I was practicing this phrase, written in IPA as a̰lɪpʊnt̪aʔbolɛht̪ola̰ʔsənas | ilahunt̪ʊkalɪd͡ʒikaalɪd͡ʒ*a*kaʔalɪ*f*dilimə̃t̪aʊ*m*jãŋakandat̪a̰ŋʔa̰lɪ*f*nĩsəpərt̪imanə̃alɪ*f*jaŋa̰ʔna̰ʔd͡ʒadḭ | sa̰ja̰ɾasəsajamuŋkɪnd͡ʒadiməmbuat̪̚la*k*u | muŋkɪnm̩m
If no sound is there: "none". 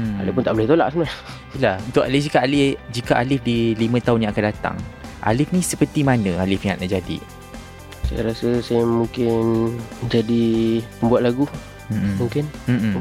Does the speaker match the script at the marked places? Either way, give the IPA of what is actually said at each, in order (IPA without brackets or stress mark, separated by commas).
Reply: i, f, n, f, f, ɡ